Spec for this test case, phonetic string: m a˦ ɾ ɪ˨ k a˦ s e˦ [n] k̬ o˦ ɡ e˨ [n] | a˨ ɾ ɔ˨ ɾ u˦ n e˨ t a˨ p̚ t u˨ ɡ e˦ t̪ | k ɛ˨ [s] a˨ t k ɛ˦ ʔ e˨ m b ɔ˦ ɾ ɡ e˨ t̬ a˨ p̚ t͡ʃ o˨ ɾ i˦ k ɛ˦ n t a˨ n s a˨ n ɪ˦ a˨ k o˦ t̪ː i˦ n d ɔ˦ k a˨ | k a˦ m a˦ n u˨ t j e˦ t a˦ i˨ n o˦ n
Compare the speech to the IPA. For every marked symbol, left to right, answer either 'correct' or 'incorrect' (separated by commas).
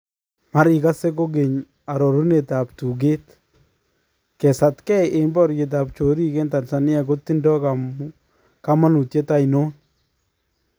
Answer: incorrect, incorrect, correct